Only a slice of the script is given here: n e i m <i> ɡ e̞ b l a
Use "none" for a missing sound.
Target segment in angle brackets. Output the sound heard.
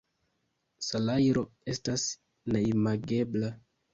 a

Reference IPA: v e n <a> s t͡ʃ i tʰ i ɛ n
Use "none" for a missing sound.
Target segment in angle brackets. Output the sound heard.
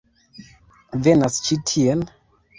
a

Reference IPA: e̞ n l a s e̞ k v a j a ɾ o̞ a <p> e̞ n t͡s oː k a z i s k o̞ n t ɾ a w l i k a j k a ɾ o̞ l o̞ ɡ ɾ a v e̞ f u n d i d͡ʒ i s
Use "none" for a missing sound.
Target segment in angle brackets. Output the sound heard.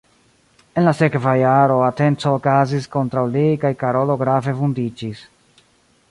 t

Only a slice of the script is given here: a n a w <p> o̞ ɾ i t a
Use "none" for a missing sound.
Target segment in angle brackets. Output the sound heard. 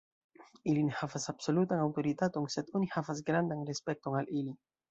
t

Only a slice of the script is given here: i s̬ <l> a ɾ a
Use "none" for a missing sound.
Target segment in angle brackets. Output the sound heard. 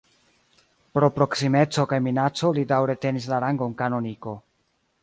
l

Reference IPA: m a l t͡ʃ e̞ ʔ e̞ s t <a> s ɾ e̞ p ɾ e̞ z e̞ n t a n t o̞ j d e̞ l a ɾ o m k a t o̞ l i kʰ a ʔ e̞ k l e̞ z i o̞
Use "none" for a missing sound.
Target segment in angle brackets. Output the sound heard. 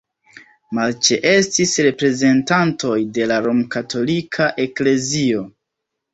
i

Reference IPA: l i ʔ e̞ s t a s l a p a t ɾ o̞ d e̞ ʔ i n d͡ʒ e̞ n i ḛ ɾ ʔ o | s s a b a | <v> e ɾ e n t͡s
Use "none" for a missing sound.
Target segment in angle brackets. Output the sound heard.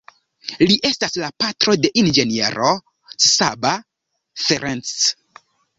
f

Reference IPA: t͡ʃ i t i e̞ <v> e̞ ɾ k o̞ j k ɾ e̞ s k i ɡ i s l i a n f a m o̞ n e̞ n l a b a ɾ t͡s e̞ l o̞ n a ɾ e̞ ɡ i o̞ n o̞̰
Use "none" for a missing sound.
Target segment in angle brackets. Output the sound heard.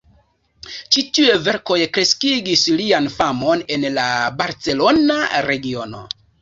v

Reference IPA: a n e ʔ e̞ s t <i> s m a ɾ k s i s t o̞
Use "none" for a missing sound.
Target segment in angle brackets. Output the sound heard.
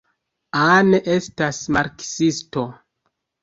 a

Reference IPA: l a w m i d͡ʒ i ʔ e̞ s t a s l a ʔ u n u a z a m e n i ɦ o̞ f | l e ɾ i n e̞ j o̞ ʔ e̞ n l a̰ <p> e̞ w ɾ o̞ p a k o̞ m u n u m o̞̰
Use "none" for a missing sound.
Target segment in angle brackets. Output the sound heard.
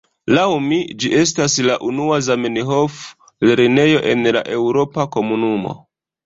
ʔ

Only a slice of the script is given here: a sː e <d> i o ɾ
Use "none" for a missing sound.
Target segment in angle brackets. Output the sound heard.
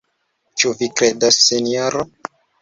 n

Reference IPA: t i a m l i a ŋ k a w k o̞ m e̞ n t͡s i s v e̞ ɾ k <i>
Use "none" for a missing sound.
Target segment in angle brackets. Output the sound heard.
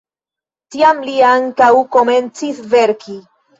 i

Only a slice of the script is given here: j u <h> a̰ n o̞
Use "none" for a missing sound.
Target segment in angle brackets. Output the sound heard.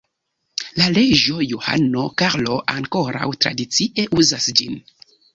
h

